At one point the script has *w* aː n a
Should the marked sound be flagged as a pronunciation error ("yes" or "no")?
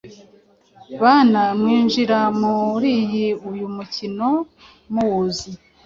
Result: yes